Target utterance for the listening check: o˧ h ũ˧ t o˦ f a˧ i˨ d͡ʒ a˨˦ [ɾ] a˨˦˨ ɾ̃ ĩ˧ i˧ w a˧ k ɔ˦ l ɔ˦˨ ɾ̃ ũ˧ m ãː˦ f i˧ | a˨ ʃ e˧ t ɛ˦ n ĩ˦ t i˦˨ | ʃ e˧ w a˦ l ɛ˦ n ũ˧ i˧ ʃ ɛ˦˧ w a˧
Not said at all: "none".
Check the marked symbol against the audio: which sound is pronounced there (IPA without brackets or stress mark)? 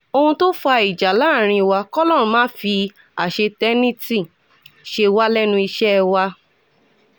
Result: l